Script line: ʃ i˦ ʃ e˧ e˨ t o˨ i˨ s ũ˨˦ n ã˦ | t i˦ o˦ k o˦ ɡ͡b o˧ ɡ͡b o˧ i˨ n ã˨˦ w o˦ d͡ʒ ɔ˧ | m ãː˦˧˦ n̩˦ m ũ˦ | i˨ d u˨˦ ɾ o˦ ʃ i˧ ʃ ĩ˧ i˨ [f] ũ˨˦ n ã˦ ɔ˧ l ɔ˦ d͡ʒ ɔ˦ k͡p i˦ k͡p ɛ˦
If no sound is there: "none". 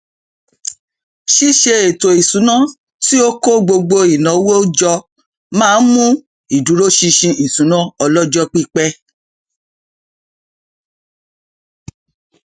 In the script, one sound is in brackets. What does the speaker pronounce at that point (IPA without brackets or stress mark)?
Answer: s